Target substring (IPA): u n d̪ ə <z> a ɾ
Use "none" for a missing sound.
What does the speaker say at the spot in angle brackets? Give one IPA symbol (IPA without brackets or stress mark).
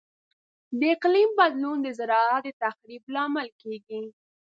z